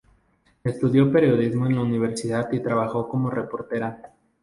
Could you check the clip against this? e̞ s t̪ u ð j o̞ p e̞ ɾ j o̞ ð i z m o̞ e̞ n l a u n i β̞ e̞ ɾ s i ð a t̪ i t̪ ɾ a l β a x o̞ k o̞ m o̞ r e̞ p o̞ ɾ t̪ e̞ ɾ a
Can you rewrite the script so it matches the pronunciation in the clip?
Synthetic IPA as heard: e̞ s t̪ u ð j o̞ p e̞ ɾ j o̞ ð i z m o̞ e̞ n l a u n i β̞ e̞ ɾ s i ð a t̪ i t̪ ɾ a β a x o̞ k o̞ m o̞ r e̞ p o̞ ɾ t̪ e̞ ɾ a